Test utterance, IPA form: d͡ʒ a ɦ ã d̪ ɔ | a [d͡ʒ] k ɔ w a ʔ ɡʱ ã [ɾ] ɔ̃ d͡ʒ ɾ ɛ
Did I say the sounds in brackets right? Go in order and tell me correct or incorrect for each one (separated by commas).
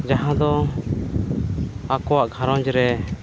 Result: incorrect, correct